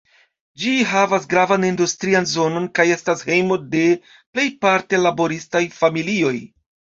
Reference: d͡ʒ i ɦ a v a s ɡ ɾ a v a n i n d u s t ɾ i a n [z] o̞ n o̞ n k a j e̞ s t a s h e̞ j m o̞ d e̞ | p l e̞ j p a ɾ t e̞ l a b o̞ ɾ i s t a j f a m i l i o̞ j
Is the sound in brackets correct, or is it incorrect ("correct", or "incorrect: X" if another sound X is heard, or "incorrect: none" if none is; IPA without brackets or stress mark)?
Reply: correct